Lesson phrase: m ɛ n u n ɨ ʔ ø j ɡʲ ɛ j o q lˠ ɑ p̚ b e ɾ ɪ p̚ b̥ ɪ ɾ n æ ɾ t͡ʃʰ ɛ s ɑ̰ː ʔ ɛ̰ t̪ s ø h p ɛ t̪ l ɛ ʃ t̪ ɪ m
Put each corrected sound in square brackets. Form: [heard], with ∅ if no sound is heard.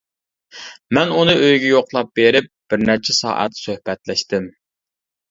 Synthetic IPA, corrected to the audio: m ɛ n u n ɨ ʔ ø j ɡʲ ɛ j o q lˠ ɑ p̚ b e ɾ ɪ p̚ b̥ ɪ ɾ n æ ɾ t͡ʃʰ ɛ s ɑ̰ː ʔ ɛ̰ t̪ s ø h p ɛ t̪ l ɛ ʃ t̪ ɪ m